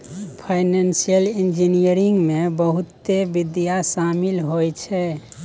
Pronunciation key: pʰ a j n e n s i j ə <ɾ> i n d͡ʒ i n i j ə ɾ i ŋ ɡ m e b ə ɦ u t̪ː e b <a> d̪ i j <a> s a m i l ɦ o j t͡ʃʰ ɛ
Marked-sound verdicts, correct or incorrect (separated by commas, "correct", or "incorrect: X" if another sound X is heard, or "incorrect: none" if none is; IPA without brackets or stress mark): incorrect: l, incorrect: i, correct